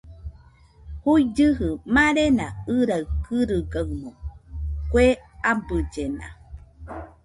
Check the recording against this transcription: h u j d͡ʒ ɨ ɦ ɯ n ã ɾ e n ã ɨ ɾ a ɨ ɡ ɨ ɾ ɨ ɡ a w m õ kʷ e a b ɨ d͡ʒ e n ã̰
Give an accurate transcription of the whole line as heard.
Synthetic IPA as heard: h u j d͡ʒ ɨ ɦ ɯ m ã ɾ e n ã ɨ ɾ a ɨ k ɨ ɾ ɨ ɡ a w m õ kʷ e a b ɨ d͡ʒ e n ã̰